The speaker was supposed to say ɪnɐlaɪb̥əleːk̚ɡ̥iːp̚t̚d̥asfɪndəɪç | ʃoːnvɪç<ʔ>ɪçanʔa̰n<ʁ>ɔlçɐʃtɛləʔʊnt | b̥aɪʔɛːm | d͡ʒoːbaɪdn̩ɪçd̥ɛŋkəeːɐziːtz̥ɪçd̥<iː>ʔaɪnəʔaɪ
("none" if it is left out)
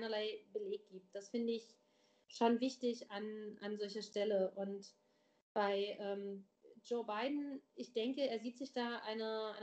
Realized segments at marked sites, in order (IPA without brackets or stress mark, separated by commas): t, z, aː